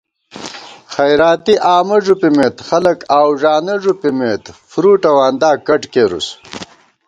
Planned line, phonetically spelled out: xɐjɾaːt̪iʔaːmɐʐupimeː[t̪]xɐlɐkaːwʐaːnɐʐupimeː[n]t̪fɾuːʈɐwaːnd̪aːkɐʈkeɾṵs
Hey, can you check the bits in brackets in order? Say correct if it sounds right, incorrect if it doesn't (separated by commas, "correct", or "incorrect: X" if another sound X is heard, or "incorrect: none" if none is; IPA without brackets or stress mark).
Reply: correct, incorrect: none